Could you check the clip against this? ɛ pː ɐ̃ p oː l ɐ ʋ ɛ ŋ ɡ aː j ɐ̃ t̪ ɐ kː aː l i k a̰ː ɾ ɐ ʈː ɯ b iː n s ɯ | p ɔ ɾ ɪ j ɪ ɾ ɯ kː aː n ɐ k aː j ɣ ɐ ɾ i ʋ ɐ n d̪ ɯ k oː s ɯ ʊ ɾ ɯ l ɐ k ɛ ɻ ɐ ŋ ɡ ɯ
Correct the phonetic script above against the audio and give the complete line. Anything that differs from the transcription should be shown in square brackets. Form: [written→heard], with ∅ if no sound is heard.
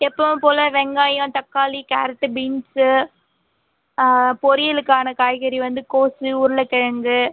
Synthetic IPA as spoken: ɛ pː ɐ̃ p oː l ɐ ʋ ɛ ŋ ɡ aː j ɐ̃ t̪ ɐ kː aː l i k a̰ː ɾ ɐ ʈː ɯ b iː n s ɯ | p ɔ ɾ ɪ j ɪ [ɾ→l] ɯ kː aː n ɐ k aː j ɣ ɐ ɾ i ʋ ɐ n d̪ ɯ k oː s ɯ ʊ ɾ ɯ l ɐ k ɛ ɻ ɐ ŋ ɡ ɯ